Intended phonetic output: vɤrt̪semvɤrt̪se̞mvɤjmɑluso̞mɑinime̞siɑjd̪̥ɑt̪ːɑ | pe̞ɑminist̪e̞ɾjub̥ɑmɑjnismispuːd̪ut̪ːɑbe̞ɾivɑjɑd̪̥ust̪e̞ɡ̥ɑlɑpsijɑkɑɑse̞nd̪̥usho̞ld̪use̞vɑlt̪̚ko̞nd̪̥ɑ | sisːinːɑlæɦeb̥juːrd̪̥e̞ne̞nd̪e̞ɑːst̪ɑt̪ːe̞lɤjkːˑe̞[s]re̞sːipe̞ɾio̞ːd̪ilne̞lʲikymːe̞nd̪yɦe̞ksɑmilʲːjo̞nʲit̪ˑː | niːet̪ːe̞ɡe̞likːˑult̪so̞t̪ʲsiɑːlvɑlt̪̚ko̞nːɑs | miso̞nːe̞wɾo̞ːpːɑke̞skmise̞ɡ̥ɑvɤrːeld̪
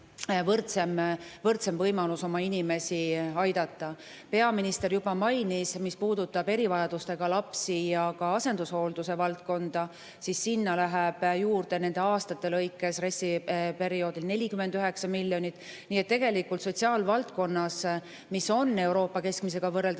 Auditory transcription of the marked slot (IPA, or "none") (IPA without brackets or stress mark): s